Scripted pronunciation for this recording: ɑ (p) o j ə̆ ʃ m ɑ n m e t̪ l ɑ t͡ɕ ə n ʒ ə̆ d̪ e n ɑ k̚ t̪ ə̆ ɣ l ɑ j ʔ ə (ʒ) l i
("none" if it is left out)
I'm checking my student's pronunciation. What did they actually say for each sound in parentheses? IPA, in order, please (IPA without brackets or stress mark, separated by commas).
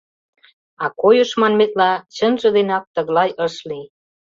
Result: k, ʃ